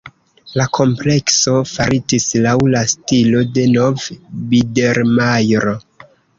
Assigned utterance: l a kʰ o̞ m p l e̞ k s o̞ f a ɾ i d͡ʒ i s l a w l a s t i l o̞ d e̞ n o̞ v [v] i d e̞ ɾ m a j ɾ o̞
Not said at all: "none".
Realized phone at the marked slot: b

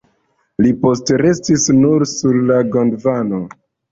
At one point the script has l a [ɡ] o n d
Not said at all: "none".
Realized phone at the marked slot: ɡ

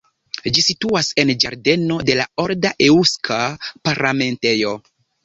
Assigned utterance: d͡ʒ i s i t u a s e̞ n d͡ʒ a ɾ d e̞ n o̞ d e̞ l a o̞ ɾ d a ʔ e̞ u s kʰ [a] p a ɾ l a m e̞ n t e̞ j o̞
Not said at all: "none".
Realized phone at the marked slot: a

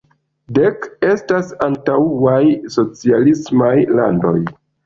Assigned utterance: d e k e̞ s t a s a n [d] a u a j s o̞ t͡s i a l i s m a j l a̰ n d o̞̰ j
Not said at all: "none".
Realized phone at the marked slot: t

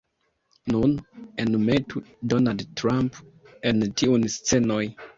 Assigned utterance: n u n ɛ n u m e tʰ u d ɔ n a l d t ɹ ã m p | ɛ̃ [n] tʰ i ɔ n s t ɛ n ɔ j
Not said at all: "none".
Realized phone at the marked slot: n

